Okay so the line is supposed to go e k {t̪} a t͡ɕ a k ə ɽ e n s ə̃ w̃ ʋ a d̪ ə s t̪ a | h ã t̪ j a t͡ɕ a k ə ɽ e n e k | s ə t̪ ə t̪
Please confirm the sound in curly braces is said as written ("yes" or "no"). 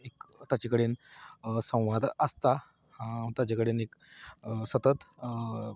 yes